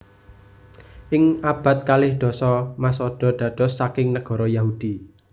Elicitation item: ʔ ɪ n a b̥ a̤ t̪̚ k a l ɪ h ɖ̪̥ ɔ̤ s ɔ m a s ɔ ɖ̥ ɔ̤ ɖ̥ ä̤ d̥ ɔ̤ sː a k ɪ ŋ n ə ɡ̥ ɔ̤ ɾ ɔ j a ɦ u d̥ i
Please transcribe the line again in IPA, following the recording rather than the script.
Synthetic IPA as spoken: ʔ ɪ ŋ a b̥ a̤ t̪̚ k a l ɪ h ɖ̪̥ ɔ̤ s ɔ m a s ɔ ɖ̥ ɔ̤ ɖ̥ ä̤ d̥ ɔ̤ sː a k ɪ ŋ n ə ɡ̥ ɔ̤ ɾ ɔ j a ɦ u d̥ i